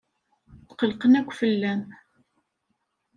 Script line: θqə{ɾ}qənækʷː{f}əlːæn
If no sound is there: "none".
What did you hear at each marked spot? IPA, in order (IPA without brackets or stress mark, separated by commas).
l, f